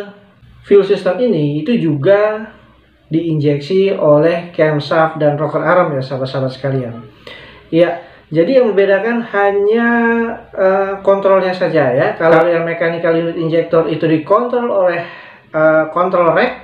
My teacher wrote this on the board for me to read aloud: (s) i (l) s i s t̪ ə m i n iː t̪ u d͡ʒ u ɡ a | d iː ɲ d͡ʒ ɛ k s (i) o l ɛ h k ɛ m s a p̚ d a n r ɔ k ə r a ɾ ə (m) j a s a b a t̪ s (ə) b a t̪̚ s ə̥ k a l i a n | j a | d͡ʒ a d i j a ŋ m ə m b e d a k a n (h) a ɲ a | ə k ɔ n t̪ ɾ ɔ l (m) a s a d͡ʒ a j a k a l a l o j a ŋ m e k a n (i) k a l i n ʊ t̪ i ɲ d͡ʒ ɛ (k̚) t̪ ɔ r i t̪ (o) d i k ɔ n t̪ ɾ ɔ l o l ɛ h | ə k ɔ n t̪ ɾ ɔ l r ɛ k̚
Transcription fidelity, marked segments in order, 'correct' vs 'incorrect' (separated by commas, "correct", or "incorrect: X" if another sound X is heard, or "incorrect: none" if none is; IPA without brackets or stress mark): incorrect: f, correct, correct, correct, incorrect: a, correct, incorrect: ɲ, correct, correct, incorrect: u